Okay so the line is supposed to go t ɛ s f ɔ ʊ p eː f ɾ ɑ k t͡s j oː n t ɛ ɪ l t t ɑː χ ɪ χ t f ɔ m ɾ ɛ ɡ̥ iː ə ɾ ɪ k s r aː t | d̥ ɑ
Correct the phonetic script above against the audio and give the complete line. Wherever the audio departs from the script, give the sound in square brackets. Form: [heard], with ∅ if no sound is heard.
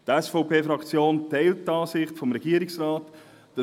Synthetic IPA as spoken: t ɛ s f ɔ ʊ p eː f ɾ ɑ k t͡s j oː n t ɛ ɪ l t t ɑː [s] ɪ χ t f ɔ m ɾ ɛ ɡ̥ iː ə ɾ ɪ k s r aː t | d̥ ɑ